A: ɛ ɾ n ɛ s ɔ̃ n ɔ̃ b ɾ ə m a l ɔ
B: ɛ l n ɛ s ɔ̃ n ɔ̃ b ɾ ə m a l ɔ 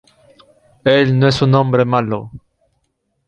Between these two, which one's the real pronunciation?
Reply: B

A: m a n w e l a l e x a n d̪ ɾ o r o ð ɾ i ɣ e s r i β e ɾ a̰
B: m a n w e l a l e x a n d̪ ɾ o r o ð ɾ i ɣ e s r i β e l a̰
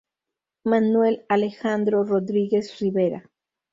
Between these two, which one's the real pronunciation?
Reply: A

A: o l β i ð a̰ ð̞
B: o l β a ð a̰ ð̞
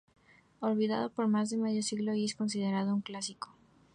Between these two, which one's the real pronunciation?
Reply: A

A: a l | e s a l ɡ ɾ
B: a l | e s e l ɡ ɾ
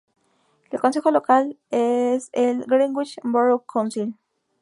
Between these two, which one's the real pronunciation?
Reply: B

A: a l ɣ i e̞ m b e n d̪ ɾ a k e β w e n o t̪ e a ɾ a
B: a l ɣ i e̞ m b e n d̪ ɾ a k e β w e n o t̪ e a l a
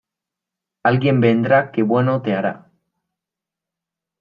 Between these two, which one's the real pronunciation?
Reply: A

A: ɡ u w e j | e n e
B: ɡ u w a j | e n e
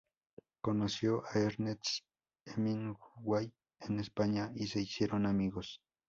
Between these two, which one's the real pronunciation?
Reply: B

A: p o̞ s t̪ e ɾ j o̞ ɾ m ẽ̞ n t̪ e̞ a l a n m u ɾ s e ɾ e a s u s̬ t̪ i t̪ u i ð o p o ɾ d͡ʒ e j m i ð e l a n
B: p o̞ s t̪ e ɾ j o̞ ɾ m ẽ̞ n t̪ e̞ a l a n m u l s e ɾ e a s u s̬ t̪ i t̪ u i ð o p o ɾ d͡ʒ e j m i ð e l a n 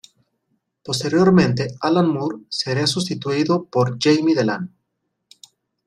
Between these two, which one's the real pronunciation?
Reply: A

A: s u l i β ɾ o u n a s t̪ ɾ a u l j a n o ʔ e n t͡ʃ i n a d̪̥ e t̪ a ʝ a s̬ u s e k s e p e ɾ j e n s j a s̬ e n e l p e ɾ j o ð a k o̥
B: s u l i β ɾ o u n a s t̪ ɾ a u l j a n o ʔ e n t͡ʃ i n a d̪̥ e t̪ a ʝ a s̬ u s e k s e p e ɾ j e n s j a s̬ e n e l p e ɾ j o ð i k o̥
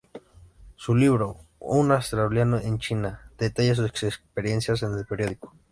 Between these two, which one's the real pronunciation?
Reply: B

